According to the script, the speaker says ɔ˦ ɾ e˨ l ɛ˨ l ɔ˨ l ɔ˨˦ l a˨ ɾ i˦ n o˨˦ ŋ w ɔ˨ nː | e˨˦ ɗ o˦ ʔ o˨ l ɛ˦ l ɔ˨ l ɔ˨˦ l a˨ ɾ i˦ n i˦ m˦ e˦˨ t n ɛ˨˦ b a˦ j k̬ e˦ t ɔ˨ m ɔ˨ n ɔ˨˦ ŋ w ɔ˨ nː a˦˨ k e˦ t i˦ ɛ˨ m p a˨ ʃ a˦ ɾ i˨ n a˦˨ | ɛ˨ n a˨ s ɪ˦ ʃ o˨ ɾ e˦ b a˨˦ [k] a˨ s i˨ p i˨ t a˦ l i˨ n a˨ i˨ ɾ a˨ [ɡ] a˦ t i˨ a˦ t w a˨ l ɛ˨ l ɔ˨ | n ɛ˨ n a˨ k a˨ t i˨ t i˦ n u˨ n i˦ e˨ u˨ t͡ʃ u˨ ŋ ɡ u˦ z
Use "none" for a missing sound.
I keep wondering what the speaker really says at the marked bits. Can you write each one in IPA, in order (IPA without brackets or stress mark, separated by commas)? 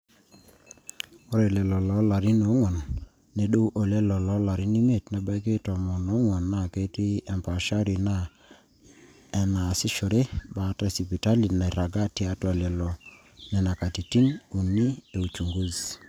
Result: t, ɡ